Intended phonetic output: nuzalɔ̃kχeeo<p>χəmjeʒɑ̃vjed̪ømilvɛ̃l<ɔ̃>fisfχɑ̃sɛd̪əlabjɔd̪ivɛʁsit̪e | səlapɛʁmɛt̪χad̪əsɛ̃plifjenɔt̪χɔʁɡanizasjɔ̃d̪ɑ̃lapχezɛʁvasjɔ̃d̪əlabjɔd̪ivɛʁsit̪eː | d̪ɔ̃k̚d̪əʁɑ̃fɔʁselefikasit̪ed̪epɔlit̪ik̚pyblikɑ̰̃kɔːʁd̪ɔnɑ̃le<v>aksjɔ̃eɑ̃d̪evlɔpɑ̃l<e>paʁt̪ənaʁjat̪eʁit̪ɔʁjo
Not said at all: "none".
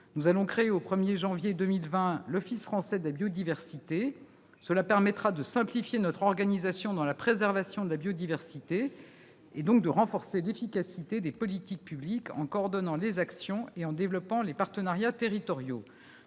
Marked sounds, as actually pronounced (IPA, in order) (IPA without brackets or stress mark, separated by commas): p, ɔ, z, e